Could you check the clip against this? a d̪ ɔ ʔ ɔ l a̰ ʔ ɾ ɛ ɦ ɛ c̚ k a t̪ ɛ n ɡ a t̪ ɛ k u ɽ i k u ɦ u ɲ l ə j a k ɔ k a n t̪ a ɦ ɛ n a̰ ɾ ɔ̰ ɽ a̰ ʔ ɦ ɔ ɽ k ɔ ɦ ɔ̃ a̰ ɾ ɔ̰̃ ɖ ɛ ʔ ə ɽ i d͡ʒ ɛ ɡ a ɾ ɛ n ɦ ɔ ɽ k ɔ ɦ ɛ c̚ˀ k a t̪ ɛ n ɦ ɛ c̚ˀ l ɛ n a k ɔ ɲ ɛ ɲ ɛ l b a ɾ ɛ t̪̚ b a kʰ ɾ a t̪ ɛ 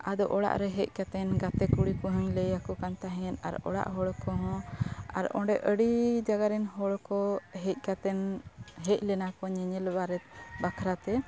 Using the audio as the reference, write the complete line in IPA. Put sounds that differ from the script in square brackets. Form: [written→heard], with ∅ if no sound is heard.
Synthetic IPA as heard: a d̪ ɔ ʔ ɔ [l→ɽ] a̰ ʔ ɾ ɛ ɦ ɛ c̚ k a t̪ ɛ n ɡ a t̪ ɛ k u ɽ i k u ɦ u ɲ l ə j a k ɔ k a n t̪ a ɦ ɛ n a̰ ɾ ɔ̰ ɽ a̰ ʔ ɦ ɔ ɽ k ɔ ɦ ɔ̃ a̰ ɾ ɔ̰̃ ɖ ɛ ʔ ə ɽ i d͡ʒ [ɛ→a] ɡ a ɾ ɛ n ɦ ɔ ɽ k ɔ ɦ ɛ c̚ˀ k a t̪ ɛ n ɦ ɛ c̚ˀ l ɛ n a k ɔ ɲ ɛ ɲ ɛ l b a ɾ ɛ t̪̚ b a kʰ ɾ a t̪ ɛ